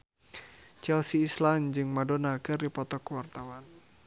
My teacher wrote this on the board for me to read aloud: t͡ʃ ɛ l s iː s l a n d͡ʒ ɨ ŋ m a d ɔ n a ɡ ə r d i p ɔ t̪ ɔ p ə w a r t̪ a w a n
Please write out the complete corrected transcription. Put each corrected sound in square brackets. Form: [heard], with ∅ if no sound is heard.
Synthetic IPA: t͡ʃ ɛ l s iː s l a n d͡ʒ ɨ ŋ m a d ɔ n a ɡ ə r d i p ɔ t̪ ɔ [k] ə w a r t̪ a w a n